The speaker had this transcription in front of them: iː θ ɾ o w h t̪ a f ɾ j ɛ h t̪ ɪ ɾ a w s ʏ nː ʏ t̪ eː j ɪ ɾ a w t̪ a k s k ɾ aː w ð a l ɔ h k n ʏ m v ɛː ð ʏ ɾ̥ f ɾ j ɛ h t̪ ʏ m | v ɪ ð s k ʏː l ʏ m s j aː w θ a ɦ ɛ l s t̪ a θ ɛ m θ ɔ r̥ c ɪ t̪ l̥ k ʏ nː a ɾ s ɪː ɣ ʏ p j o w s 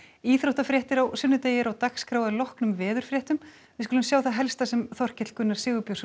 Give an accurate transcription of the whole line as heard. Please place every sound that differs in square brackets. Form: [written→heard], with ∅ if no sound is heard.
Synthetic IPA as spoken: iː θ ɾ o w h t̪ a f ɾ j ɛ h t̪ ɪ ɾ a w s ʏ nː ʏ t̪ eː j ɪ ɾ a w t̪ a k s k ɾ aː w ð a l ɔ h k n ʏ m v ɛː ð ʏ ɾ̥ f ɾ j ɛ h t̪ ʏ m | v ɪ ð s k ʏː l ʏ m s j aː w θ a ɦ ɛ l s t̪ a [θ→s] ɛ m θ ɔ r̥ c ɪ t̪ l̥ k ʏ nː a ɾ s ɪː ɣ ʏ p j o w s